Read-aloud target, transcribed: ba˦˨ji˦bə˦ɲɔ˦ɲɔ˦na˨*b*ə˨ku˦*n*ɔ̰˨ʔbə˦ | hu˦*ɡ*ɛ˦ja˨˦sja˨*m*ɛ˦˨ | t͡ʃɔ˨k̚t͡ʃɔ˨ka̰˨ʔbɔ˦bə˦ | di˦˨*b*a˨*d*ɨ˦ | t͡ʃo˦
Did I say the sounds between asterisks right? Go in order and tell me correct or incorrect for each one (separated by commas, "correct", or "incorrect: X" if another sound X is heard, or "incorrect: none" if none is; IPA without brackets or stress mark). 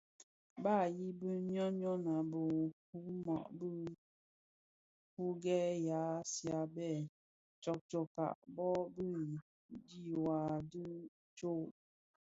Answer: correct, incorrect: m, correct, incorrect: b, incorrect: w, correct